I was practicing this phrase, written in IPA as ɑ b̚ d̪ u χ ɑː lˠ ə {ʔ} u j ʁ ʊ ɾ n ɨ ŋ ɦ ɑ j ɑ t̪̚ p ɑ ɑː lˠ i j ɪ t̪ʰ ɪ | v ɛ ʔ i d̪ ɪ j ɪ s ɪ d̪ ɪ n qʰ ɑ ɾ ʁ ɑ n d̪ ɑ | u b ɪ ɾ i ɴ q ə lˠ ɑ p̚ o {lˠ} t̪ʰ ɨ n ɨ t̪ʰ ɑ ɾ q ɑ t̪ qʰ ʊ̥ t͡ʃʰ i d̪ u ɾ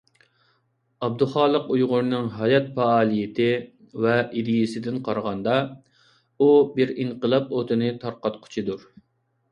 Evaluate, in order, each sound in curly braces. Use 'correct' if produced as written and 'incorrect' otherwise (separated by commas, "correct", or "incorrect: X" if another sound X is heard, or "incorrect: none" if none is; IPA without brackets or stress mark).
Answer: incorrect: q, incorrect: none